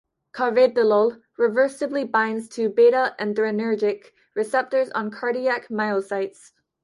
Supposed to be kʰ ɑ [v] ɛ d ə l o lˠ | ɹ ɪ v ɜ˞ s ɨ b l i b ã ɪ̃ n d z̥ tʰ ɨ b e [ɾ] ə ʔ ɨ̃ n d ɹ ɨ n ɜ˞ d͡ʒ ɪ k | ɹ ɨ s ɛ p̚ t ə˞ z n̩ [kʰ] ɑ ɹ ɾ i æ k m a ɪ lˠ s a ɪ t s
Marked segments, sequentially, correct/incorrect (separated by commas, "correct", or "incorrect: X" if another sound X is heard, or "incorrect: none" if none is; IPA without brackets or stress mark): correct, correct, correct